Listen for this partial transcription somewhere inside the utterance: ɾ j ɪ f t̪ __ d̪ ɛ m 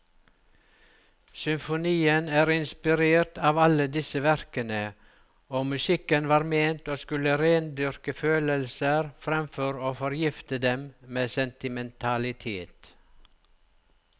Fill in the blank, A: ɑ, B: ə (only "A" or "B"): B